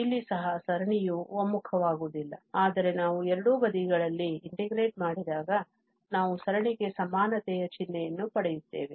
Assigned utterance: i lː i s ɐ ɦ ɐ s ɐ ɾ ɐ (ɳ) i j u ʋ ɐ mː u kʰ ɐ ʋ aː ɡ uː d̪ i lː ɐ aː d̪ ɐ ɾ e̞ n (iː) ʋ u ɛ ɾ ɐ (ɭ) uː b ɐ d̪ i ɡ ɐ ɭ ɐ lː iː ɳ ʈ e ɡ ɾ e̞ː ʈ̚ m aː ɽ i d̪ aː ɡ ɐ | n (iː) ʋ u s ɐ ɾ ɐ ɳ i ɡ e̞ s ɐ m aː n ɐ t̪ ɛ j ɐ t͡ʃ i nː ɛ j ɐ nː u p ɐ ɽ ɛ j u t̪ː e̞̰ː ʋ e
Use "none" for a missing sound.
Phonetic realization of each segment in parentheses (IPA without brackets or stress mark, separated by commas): ɳ, aː, ɽ, aː